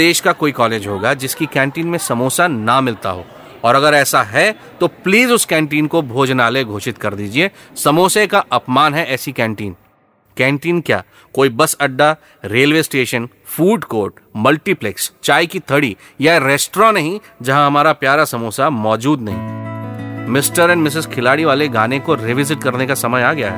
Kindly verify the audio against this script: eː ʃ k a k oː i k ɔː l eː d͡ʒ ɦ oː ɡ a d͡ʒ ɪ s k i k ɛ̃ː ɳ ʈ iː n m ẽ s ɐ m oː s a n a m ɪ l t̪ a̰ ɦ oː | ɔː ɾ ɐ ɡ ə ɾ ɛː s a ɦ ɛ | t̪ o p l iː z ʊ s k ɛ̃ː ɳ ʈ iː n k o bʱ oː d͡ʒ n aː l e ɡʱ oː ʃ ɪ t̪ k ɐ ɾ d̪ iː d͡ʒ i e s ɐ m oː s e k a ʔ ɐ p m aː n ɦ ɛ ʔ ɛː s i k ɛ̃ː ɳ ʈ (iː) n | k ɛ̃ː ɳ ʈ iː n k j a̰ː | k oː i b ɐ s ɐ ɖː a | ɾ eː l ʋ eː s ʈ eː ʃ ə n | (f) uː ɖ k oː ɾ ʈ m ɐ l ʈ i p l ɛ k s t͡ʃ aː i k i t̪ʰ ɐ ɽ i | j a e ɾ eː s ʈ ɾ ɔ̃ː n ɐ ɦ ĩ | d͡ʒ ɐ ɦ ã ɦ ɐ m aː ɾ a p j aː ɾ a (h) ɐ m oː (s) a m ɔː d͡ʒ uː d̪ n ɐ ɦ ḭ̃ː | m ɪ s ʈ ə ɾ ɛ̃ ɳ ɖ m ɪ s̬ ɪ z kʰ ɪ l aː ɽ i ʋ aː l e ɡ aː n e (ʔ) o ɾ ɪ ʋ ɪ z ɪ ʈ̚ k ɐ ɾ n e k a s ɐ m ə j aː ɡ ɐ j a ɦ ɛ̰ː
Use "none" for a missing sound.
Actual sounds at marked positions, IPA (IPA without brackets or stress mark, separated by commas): iː, f, s, s, k